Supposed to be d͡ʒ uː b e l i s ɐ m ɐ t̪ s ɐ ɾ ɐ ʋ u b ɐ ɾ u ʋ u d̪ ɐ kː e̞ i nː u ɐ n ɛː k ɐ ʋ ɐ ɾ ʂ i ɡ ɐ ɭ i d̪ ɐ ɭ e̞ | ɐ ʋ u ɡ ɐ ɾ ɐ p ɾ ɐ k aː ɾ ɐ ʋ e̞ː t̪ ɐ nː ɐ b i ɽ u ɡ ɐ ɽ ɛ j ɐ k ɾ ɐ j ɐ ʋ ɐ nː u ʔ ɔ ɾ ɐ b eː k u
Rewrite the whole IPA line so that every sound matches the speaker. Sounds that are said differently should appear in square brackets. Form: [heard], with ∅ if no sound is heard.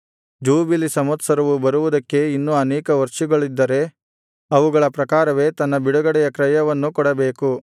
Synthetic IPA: d͡ʒ uː b [i] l i s ɐ m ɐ t̪ s ɐ ɾ ɐ ʋ u b ɐ ɾ u ʋ u d̪ ɐ kː e̞ i nː u ɐ n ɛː k ɐ ʋ ɐ ɾ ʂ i ɡ ɐ ɭ i [d̪ː] ɐ [ɾ] e̞ | ɐ ʋ u ɡ ɐ [ɭ] ɐ p ɾ ɐ k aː ɾ ɐ ʋ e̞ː t̪ ɐ nː ɐ b i ɽ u ɡ ɐ ɽ ɛ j ɐ k ɾ ɐ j ɐ ʋ ɐ nː u [k] ɔ [ɽ] ɐ b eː k u

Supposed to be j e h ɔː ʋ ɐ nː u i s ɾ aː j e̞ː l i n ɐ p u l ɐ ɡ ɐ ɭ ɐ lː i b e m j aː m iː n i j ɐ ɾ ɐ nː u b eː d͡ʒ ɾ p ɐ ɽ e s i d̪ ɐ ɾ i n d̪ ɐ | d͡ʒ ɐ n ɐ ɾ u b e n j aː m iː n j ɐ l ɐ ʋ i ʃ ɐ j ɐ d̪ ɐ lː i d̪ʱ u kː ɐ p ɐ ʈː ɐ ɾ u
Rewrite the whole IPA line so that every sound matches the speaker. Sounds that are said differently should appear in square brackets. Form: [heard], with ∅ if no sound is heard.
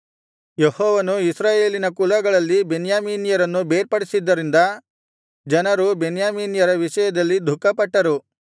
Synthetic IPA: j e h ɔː ʋ ɐ [n] u i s ɾ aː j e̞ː l i n ɐ [k] u l ɐ ɡ ɐ ɭ ɐ lː i b e [n] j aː m iː n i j ɐ ɾ ɐ nː u b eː [∅] ɾ p ɐ ɽ [i] s i [d̪ː] ɐ ɾ i n d̪ ɐ | d͡ʒ ɐ n ɐ ɾ u b e n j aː m iː n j ɐ [ɾ] ɐ ʋ i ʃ ɐ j ɐ d̪ ɐ lː i d̪ʱ u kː ɐ p ɐ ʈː ɐ ɾ u

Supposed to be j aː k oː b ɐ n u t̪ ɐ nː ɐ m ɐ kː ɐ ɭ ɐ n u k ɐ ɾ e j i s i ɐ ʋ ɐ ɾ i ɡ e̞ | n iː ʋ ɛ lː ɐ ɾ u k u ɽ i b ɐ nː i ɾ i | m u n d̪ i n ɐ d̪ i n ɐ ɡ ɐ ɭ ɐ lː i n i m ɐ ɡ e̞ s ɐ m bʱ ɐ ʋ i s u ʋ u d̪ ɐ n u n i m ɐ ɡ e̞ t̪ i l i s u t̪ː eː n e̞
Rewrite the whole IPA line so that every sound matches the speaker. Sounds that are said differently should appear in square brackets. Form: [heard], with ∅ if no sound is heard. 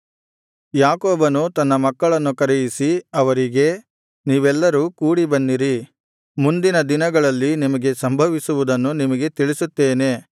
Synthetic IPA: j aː k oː b ɐ n u t̪ ɐ nː ɐ m ɐ kː ɐ ɭ ɐ [nː] u k ɐ ɾ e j i s i ɐ ʋ ɐ ɾ i ɡ e̞ | n iː ʋ ɛ lː ɐ ɾ u k [uː] ɽ i b ɐ nː i ɾ i | m u n d̪ i n ɐ d̪ i n ɐ ɡ ɐ ɭ ɐ lː i n i m ɐ ɡ e̞ s ɐ m bʱ ɐ ʋ i s u ʋ u d̪ ɐ [nː] u n i m ɐ ɡ e̞ t̪ i [ɭ] i s u t̪ː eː n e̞

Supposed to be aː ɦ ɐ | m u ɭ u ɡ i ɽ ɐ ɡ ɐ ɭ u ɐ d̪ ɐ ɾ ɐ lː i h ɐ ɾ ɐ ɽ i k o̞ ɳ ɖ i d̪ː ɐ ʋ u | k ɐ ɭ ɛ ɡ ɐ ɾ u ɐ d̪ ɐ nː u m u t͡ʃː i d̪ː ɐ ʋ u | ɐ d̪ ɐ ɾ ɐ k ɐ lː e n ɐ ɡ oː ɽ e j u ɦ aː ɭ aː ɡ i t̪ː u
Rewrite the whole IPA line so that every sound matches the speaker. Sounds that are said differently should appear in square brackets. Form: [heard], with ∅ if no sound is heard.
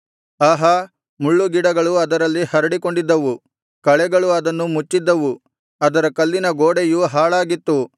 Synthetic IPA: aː ɦ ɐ | m u [ɭː] u ɡ i ɽ ɐ ɡ ɐ ɭ u ɐ d̪ ɐ ɾ ɐ lː i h ɐ ɾ ɐ ɽ i k o̞ ɳ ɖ i d̪ː ɐ ʋ u | k ɐ ɭ ɛ ɡ ɐ [ɭ] u ɐ d̪ ɐ nː u m u t͡ʃː i d̪ː ɐ ʋ u | ɐ d̪ ɐ ɾ ɐ k ɐ lː [i] n ɐ ɡ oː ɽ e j u ɦ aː ɭ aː ɡ i t̪ː u

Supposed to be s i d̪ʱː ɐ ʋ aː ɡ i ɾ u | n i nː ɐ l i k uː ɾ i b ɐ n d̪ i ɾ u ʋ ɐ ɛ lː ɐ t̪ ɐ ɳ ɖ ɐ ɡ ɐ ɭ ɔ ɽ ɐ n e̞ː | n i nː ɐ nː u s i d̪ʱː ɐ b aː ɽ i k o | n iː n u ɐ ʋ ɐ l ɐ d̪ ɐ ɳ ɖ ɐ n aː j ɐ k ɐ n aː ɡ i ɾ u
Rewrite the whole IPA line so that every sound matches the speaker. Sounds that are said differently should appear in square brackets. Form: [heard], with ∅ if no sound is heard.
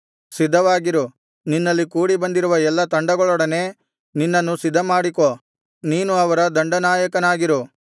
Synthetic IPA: s i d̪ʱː ɐ ʋ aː ɡ i ɾ u | n i nː ɐ [lː] i k uː [ɽ] i b ɐ n d̪ i ɾ u ʋ ɐ ɛ lː ɐ t̪ ɐ ɳ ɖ ɐ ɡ ɐ ɭ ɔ ɽ ɐ n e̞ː | n i nː ɐ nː u s i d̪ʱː ɐ [m] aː ɽ i k o | n iː n u ɐ ʋ ɐ [ɾ] ɐ d̪ ɐ ɳ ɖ ɐ n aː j ɐ k ɐ n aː ɡ i ɾ u

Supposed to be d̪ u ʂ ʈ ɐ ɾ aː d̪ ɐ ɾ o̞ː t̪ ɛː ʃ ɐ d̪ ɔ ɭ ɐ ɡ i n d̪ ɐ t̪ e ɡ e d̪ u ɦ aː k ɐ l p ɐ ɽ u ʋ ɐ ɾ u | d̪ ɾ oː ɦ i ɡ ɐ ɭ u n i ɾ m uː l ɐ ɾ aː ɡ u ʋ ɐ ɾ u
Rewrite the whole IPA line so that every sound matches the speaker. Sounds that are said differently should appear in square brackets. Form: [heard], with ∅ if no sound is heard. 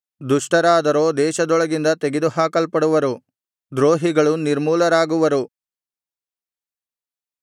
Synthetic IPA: d̪ u ʂ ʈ ɐ ɾ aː d̪ ɐ ɾ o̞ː [d̪] ɛː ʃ ɐ d̪ ɔ ɭ ɐ ɡ i n d̪ ɐ t̪ e ɡ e d̪ u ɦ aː k ɐ l p ɐ ɽ u ʋ ɐ ɾ u | d̪ ɾ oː ɦ i ɡ ɐ ɭ u n i ɾ m uː l ɐ ɾ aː ɡ u ʋ ɐ ɾ u

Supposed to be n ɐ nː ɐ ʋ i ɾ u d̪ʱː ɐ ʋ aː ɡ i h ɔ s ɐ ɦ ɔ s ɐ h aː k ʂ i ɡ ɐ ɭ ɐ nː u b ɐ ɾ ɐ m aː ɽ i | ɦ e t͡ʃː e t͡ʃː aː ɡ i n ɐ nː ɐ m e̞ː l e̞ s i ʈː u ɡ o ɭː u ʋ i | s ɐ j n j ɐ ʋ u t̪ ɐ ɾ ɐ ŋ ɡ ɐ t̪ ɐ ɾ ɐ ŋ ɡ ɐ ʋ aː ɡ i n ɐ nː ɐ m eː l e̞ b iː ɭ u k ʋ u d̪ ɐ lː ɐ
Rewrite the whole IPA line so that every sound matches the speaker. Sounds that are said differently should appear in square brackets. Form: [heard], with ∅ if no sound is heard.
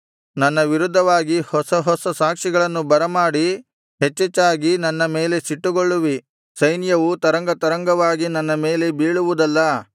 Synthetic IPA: n ɐ nː ɐ ʋ i ɾ u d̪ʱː ɐ ʋ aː ɡ i h ɔ s ɐ ɦ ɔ s ɐ [s] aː k ʂ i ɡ ɐ ɭ ɐ nː u b ɐ ɾ ɐ m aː ɽ i | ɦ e t͡ʃː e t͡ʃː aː ɡ i n ɐ nː ɐ m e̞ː l e̞ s i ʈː u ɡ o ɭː u ʋ i | s ɐ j n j ɐ ʋ u t̪ ɐ ɾ ɐ ŋ ɡ ɐ t̪ ɐ ɾ ɐ ŋ ɡ ɐ ʋ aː ɡ i n ɐ nː ɐ m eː l e̞ b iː ɭ u [∅] ʋ u d̪ ɐ lː ɐ

